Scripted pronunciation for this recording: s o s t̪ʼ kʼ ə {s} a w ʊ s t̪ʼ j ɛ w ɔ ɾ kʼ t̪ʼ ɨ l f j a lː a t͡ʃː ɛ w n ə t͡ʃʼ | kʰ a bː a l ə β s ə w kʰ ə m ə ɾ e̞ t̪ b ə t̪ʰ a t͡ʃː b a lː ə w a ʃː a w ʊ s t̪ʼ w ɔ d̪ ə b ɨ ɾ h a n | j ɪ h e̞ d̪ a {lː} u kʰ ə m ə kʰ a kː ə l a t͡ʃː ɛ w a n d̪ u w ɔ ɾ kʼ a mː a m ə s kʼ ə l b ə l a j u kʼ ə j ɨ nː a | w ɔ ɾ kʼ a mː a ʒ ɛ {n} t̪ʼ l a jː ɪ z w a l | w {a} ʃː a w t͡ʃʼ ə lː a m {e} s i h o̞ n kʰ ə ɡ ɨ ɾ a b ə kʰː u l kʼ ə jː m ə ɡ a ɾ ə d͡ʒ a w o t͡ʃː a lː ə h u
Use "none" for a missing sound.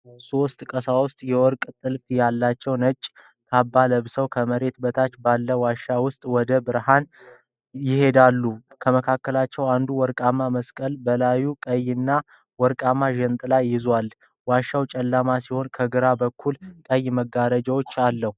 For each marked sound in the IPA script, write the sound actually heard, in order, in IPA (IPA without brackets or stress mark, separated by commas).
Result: s, lː, n, a, a